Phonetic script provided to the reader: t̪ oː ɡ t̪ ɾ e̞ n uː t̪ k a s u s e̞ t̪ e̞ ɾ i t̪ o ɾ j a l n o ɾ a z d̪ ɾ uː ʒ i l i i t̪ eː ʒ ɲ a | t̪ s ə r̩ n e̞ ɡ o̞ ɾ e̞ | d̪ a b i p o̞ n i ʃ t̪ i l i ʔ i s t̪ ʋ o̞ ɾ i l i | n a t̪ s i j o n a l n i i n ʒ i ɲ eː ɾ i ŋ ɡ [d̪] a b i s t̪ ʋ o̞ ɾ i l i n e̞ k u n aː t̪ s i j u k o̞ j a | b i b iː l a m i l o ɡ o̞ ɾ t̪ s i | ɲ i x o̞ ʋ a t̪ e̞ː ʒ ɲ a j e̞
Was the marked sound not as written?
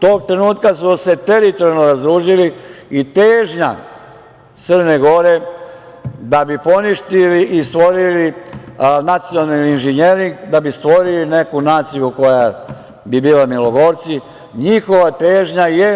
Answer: no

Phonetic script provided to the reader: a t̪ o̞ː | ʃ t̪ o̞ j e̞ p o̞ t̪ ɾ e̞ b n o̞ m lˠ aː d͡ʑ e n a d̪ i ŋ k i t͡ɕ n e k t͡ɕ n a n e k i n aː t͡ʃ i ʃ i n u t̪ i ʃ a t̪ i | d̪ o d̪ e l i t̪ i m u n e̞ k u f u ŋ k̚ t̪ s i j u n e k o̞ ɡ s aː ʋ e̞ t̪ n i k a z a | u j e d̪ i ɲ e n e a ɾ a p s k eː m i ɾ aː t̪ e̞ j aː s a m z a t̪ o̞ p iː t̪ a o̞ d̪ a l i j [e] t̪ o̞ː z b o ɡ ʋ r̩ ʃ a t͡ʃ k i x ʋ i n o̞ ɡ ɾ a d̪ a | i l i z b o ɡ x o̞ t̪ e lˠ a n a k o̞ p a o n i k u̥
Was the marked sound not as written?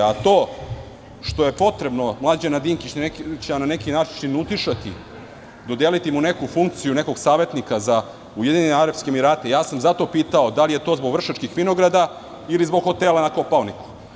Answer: no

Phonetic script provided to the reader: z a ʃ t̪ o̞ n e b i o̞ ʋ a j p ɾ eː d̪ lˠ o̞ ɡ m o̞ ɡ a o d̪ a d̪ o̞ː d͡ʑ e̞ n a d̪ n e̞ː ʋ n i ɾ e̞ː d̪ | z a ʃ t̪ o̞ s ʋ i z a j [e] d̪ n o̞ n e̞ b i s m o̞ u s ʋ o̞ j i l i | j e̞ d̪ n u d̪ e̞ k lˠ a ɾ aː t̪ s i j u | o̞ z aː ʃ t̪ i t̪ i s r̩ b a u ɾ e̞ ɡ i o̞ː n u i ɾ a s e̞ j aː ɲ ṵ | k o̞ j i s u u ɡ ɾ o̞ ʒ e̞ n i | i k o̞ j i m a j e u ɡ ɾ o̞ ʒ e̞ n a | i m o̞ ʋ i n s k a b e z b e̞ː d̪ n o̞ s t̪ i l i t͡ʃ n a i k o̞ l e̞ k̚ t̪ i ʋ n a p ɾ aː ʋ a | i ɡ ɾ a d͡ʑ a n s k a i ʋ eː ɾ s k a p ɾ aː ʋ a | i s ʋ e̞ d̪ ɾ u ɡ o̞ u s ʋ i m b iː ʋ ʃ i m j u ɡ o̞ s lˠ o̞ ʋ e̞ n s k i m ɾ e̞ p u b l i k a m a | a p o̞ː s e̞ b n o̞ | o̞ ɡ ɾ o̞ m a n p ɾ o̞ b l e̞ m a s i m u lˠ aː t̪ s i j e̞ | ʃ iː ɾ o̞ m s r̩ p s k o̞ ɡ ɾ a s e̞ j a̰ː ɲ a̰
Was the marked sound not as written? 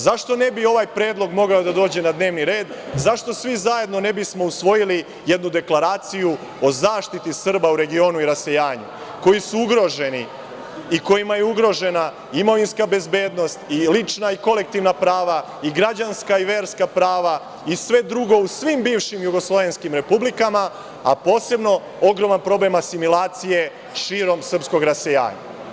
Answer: no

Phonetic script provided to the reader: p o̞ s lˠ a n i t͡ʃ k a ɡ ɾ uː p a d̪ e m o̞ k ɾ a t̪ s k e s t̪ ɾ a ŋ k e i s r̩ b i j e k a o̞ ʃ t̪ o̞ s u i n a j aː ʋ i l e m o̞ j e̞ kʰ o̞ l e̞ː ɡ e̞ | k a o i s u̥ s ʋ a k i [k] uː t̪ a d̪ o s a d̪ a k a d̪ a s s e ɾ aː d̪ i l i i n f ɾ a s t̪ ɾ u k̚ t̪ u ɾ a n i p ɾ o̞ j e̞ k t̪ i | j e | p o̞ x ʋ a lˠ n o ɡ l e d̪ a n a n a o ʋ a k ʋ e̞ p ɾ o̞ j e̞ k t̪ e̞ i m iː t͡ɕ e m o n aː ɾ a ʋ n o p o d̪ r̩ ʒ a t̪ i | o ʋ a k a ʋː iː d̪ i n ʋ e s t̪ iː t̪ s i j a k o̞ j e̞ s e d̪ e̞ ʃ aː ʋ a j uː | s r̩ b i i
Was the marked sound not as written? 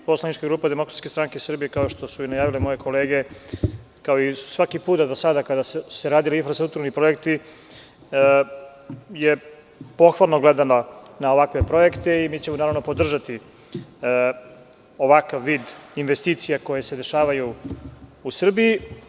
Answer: yes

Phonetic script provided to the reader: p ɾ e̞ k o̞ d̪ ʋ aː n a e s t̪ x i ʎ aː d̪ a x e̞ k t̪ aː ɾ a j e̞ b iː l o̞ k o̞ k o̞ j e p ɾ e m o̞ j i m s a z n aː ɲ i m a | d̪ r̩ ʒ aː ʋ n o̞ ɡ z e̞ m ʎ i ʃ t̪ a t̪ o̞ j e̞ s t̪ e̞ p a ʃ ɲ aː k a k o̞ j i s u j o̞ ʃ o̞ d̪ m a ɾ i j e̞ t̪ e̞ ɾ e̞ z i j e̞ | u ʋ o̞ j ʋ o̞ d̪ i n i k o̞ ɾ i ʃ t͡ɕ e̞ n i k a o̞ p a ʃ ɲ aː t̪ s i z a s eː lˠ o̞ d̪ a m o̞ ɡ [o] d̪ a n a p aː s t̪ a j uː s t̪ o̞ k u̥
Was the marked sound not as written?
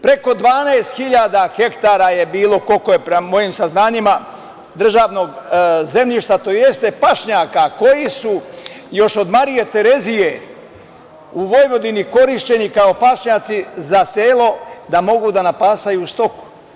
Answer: yes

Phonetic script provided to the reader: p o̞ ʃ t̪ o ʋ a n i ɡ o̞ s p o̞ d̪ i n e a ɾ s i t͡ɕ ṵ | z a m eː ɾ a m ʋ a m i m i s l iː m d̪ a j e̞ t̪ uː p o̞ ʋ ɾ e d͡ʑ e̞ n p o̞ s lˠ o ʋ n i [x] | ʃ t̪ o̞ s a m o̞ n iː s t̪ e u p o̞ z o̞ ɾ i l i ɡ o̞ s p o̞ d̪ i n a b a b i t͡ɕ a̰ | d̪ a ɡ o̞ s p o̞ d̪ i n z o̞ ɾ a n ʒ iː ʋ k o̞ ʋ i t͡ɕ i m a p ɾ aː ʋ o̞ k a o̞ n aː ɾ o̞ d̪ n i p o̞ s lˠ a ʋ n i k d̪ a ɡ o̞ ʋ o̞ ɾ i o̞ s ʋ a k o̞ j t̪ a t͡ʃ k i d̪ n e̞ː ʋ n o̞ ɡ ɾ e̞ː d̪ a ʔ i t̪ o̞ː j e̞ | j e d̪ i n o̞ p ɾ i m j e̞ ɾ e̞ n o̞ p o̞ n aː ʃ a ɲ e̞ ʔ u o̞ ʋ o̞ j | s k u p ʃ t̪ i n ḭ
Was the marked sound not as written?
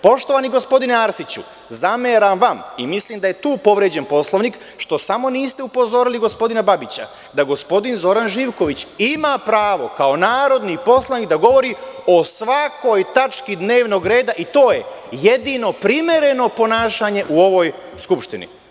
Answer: yes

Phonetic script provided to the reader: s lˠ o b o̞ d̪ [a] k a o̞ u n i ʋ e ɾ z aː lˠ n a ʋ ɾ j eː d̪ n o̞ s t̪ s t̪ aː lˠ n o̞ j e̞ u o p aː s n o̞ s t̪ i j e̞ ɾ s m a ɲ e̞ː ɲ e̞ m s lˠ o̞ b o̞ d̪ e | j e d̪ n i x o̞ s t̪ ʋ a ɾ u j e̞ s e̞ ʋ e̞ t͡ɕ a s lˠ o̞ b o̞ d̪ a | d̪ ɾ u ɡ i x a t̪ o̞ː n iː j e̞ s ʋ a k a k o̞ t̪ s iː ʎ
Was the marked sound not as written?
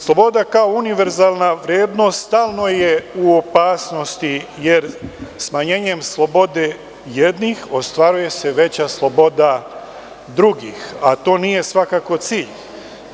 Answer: no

